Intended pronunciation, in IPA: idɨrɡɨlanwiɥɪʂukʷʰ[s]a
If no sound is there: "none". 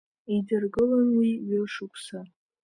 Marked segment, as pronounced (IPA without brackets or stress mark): s